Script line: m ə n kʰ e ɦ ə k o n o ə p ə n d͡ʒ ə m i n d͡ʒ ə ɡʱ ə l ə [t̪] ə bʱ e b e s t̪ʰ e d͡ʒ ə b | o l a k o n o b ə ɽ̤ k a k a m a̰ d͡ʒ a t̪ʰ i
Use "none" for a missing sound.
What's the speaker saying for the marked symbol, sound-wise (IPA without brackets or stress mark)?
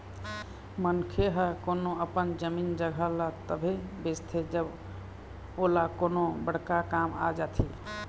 t̪